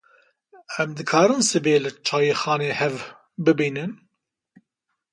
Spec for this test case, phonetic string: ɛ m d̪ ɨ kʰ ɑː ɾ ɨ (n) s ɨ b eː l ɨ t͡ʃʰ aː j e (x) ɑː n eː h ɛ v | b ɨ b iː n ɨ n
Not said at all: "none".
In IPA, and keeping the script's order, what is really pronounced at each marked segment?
n, x

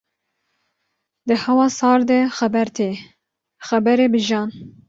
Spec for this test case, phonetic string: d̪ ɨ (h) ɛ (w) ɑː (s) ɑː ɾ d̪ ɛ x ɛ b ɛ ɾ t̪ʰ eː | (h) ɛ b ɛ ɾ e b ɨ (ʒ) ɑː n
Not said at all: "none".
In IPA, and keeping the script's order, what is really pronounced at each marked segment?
h, w, s, x, ʒ

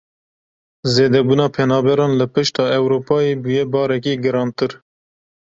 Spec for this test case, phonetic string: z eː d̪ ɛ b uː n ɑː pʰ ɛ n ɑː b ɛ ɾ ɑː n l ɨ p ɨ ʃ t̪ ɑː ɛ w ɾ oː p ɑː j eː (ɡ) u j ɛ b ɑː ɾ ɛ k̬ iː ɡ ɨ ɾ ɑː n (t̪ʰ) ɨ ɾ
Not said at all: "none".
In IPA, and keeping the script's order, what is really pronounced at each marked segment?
b, t̪

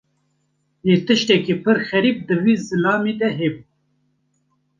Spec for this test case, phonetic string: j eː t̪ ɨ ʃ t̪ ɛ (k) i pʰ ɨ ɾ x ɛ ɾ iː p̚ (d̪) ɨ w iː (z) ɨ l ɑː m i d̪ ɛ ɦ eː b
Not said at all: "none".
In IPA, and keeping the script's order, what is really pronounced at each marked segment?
k, d̪, z

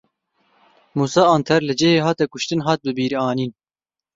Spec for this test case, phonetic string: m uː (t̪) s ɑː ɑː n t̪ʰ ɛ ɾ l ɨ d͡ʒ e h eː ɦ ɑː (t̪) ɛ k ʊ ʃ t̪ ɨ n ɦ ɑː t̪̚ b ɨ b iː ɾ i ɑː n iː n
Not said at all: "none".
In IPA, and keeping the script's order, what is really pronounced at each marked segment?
none, t̪

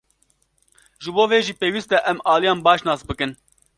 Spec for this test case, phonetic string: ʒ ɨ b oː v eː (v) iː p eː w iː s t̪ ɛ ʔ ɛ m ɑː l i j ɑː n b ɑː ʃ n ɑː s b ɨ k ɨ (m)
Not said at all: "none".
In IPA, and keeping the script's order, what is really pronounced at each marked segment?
ʒ, n

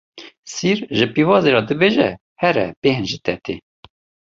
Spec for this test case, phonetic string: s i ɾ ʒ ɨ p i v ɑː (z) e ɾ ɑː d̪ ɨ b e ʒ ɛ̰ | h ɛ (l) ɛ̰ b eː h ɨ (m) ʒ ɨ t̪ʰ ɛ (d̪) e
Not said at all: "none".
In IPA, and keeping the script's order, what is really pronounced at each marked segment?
z, ɾ, n, t̪

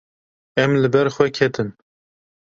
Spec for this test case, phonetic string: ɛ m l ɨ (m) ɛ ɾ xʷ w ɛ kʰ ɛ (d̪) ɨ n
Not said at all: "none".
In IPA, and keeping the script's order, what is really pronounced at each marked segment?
b, t̪

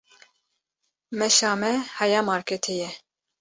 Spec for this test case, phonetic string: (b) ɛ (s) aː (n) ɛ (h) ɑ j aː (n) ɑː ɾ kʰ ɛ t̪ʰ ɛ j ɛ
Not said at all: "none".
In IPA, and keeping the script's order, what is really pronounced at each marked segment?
m, ʃ, m, h, m

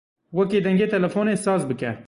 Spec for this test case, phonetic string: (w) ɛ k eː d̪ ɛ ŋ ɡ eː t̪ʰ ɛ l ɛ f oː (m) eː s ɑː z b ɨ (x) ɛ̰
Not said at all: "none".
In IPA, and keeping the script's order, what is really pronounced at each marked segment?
w, n, k

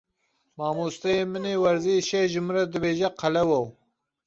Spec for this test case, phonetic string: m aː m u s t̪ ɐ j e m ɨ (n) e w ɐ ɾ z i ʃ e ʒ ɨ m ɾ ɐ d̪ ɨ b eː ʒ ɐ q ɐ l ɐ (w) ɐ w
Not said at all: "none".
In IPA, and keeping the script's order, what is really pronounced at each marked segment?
n, w

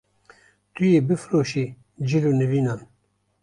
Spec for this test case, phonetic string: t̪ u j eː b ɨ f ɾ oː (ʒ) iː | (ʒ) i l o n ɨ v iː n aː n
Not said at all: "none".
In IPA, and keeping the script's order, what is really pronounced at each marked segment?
ʃ, d͡ʒ

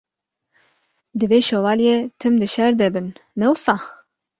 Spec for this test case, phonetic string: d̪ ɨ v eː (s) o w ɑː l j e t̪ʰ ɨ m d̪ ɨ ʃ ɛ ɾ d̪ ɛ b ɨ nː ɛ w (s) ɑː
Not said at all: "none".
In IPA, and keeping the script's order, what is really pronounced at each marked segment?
ʃ, s

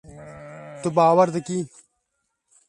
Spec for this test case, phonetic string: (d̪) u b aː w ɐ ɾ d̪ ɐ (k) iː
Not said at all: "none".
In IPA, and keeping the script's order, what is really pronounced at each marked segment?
t̪, k

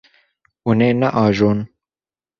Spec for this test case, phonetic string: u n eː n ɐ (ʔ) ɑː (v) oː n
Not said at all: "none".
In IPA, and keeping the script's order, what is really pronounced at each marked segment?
ʔ, ʒ

